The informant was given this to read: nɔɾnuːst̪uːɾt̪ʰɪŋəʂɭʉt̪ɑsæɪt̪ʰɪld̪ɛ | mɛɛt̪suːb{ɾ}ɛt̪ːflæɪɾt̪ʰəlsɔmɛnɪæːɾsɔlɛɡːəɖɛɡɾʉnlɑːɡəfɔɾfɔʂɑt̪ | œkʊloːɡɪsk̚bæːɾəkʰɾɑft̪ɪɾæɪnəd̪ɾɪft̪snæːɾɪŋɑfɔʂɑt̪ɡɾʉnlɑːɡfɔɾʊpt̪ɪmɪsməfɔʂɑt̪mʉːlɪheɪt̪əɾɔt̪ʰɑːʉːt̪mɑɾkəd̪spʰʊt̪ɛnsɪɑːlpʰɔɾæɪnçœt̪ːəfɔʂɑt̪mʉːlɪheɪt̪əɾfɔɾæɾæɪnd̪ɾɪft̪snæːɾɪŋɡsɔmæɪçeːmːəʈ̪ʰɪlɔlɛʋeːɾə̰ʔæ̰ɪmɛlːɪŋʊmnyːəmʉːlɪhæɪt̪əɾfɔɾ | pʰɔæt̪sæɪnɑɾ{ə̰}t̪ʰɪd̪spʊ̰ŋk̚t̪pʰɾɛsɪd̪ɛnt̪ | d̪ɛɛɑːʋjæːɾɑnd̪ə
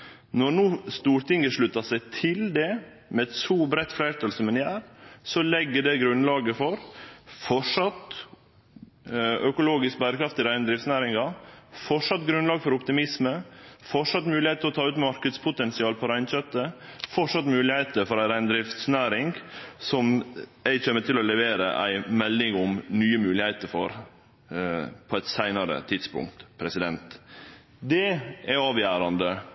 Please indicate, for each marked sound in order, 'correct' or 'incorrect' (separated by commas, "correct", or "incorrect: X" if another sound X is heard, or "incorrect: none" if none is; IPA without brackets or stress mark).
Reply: correct, correct